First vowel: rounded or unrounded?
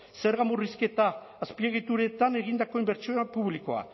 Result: unrounded